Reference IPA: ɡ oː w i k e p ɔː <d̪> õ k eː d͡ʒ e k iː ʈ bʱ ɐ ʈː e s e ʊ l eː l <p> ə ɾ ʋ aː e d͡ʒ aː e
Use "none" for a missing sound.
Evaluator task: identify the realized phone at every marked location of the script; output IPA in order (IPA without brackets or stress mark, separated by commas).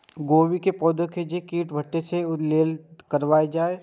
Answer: d̪, k